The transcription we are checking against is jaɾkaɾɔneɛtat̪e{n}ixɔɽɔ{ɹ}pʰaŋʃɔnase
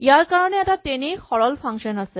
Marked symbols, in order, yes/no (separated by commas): yes, no